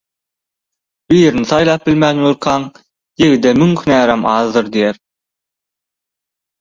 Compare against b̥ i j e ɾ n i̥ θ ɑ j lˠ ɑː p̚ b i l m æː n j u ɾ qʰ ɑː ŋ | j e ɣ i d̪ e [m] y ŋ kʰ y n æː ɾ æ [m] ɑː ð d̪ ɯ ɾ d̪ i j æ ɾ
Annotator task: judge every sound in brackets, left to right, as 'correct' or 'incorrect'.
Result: correct, correct

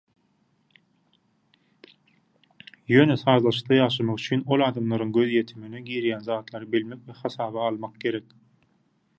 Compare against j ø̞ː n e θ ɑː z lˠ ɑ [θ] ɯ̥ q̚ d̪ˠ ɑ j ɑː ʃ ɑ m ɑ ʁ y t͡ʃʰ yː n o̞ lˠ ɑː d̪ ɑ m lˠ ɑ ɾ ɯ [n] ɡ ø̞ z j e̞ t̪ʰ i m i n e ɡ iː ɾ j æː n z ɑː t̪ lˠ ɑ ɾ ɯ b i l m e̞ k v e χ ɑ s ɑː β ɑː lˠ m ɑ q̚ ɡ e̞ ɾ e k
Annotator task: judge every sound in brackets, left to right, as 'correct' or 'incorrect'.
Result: incorrect, incorrect

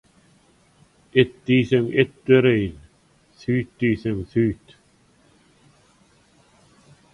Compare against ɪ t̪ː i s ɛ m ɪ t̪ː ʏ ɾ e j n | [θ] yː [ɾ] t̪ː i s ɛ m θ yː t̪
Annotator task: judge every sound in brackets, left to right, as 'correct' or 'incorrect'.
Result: correct, incorrect

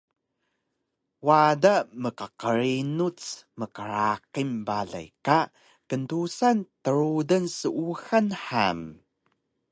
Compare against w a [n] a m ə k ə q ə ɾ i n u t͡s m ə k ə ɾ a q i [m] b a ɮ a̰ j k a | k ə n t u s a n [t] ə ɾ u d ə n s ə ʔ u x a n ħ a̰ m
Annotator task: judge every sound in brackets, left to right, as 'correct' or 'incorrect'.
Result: incorrect, correct, correct

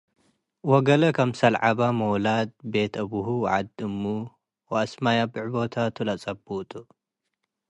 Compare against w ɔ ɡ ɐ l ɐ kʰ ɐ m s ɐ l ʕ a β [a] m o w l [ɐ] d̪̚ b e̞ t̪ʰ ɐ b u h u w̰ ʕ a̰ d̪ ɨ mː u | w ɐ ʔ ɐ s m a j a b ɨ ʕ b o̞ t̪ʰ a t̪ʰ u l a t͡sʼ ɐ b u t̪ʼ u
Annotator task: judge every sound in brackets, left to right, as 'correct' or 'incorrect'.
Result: correct, incorrect

